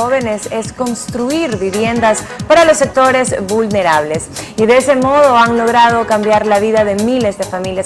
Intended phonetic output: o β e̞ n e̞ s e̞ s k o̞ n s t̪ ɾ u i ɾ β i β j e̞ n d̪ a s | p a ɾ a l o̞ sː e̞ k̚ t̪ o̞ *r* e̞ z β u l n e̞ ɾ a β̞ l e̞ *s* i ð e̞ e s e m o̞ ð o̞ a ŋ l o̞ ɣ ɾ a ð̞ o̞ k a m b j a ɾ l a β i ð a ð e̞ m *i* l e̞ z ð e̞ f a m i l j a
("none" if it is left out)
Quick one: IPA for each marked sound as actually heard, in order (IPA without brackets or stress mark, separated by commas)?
ɾ, s, i